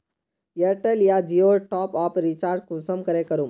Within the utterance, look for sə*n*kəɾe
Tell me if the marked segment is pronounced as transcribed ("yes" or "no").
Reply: no